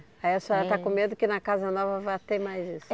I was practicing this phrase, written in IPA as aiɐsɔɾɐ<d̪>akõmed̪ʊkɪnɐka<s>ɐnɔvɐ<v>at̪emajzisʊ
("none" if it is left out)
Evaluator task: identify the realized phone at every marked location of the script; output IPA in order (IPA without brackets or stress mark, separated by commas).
t̪, z, v